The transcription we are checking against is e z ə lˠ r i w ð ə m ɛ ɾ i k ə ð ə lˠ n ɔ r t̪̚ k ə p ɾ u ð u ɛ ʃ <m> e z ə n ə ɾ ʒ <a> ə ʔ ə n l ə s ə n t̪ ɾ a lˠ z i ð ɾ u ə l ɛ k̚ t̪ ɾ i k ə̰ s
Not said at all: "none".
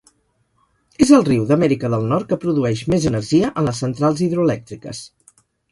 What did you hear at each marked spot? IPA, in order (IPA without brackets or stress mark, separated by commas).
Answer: m, i